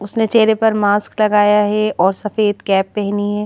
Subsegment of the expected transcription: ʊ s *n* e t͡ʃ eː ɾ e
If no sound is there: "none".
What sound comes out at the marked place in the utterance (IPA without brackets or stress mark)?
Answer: n